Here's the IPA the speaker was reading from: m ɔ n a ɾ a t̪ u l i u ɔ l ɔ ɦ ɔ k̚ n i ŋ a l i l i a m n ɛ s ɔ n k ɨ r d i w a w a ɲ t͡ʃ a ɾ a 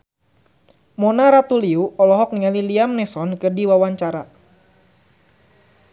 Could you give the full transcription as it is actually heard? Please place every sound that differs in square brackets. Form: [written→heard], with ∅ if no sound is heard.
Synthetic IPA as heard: m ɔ n a ɾ a t̪ u l i u ɔ l ɔ ɦ ɔ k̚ n i ŋ a l i l i a m n ɛ s ɔ n k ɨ r d i w a w a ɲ t͡ʃ a ɾ a